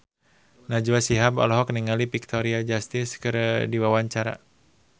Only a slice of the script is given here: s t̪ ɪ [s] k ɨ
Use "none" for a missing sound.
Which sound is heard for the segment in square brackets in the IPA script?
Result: s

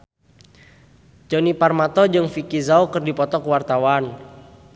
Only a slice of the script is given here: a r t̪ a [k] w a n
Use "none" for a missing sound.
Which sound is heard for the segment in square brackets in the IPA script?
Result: none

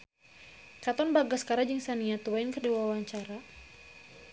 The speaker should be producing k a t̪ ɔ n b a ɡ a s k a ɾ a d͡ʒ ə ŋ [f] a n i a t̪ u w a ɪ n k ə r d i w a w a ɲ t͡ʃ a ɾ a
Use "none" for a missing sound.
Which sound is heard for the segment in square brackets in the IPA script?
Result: s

